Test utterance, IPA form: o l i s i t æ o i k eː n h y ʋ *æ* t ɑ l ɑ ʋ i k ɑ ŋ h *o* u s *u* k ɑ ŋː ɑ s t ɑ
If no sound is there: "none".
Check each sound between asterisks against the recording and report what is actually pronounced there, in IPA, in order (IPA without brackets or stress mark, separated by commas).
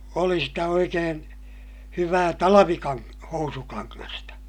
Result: æː, o, u